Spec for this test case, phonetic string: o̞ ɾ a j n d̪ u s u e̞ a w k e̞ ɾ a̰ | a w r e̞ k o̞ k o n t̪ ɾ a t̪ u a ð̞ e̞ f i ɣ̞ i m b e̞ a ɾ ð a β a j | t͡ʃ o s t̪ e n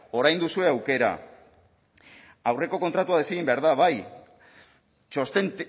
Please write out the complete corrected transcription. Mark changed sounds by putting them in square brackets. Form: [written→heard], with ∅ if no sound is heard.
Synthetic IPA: o̞ ɾ a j n d̪ u s u e̞ a w k e̞ ɾ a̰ | a w r e̞ k o̞ k o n t̪ ɾ a t̪ u a ð̞ e̞ [f→s] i ɣ̞ i m b e̞ a ɾ ð a β a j | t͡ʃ o s t̪ e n